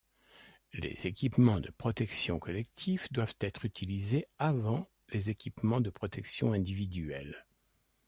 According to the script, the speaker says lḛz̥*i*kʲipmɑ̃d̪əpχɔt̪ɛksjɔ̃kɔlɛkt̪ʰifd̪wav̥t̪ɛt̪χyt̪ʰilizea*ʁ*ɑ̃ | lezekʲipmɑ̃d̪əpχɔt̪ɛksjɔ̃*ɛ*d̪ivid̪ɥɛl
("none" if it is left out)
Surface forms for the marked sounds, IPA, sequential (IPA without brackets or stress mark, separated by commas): e, v, ɛ̃